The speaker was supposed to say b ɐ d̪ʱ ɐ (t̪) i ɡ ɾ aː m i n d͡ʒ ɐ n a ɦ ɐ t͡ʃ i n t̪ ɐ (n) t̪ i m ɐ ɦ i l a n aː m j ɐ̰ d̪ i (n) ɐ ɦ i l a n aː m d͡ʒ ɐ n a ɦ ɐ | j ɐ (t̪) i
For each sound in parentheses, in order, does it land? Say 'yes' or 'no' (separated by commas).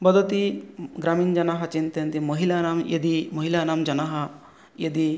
yes, yes, no, no